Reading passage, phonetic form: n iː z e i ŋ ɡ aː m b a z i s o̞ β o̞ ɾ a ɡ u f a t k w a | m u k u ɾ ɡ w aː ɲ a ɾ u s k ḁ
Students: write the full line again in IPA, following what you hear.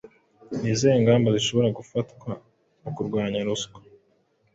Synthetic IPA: n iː z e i ŋ ɡ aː m b a z i ʃ o̞ β o̞ ɾ a ɡ u f a t k w a | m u k u ɾ ɡ w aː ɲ a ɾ u s k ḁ